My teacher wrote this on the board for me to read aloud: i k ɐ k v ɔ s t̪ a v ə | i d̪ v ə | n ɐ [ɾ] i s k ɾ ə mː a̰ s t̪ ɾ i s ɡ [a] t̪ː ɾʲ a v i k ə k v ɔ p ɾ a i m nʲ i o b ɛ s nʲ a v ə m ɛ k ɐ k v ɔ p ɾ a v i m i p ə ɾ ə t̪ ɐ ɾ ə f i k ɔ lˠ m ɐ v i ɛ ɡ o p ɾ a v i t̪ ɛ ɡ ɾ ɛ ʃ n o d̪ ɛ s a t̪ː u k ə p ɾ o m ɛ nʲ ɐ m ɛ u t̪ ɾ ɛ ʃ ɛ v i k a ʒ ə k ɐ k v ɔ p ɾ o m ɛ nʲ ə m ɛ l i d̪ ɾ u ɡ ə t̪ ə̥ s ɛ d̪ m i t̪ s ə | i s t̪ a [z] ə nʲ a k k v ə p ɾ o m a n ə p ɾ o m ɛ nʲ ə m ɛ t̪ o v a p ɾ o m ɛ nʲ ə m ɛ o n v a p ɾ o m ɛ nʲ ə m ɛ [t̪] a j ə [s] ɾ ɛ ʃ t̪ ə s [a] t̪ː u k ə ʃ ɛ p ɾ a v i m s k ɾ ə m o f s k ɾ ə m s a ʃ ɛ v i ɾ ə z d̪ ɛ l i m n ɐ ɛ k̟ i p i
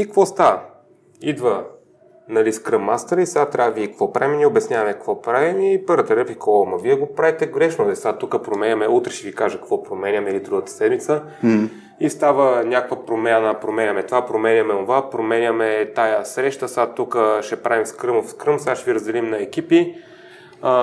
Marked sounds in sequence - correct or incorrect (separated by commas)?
incorrect, correct, incorrect, correct, correct, correct